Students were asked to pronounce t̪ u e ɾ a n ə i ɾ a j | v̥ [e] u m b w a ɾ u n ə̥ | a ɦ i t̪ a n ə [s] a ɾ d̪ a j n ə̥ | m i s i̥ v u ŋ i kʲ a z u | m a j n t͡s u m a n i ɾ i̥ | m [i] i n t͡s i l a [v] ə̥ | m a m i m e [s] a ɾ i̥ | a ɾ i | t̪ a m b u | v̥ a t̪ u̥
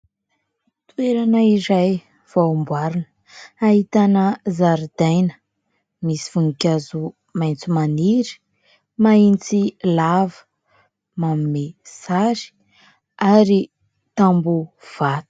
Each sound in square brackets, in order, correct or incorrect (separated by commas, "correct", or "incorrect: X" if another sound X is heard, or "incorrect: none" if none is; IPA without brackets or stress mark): incorrect: a, incorrect: z, incorrect: a, correct, correct